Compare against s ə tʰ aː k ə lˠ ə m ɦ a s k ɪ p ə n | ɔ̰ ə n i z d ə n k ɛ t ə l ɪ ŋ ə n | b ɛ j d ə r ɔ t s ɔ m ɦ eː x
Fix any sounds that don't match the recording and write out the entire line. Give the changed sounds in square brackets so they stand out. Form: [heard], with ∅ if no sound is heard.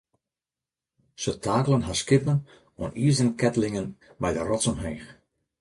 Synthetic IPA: s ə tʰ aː k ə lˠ ə [n] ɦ a s k ɪ p ə n | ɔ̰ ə n i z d ə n k ɛ t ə l ɪ ŋ ə n | b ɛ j d ə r ɔ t s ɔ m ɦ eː x